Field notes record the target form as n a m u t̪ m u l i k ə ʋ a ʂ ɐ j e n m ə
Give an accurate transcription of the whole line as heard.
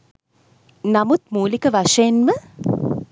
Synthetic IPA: n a m u t̪ m uː l i k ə ʋ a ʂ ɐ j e n m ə